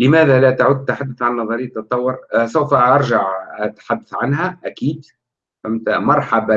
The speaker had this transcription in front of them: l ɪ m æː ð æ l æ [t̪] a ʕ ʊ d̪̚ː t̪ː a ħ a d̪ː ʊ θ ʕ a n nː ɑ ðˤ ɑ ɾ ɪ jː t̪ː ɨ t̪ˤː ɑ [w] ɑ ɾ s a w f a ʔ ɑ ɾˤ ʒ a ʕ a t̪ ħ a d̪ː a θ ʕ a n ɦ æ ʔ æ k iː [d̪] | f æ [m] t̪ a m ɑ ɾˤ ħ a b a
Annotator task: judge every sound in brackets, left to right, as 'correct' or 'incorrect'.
correct, incorrect, correct, correct

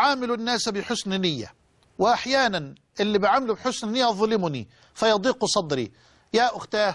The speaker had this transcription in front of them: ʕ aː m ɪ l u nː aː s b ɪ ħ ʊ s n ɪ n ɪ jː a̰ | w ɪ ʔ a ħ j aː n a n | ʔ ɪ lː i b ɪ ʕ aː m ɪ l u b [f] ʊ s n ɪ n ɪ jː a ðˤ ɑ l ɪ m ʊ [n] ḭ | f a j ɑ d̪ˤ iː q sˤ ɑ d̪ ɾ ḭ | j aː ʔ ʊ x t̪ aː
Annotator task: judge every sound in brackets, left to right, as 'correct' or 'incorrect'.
incorrect, correct

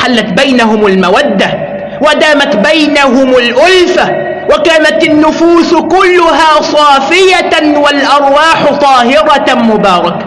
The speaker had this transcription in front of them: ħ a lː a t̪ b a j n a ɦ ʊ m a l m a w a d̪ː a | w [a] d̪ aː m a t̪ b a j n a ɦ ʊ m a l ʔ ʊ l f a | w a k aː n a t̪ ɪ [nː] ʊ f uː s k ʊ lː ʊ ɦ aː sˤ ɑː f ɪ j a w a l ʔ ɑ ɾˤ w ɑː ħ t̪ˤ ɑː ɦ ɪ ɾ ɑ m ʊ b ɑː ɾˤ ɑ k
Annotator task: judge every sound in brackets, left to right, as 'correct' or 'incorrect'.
correct, correct

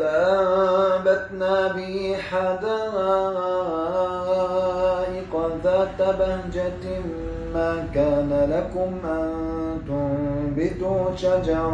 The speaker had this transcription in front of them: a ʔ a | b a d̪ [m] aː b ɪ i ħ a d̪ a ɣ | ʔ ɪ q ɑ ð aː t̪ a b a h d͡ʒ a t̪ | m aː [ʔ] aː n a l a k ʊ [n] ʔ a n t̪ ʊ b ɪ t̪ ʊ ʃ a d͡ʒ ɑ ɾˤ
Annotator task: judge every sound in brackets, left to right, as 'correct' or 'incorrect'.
incorrect, incorrect, incorrect

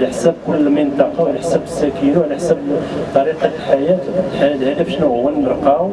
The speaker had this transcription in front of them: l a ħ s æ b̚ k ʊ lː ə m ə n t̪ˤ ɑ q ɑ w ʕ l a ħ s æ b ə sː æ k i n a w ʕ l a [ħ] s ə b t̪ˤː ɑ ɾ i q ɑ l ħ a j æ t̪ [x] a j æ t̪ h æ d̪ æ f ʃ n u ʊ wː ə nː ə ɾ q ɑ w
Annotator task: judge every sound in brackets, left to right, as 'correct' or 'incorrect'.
correct, incorrect

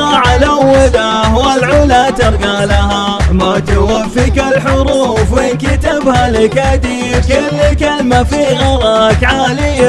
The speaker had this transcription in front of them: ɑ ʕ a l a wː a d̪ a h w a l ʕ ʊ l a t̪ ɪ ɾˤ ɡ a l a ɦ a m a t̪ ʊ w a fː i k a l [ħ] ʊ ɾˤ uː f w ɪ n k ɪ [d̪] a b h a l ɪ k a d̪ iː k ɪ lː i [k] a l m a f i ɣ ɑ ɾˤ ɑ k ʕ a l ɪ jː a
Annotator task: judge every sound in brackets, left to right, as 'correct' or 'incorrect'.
correct, incorrect, correct

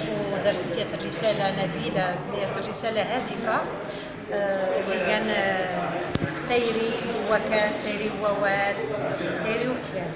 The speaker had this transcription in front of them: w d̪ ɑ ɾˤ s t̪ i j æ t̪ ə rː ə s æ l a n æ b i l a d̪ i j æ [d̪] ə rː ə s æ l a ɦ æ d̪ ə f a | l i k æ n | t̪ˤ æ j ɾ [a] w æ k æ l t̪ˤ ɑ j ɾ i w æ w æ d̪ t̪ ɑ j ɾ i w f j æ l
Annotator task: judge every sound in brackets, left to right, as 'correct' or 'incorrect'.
incorrect, incorrect

